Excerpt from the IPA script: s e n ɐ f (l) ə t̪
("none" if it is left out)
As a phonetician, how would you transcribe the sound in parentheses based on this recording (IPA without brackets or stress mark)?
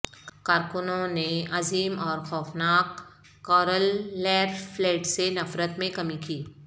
ɾ